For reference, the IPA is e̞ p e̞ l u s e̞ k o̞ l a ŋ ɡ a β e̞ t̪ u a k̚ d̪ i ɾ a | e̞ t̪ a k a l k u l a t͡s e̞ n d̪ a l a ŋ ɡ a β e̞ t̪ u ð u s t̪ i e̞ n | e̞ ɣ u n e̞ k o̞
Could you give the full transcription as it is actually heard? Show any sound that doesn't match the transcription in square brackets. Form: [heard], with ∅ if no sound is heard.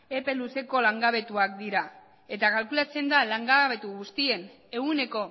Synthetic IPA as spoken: e̞ p e̞ l u s e̞ k o̞ l a ŋ ɡ a β e̞ t̪ u a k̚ d̪ i ɾ a | e̞ t̪ a k a l k u l a t͡s e̞ n d̪ a l a ŋ ɡ a β e̞ t̪ u [ɣ] u s t̪ i e̞ n | e̞ ɣ u n e̞ k o̞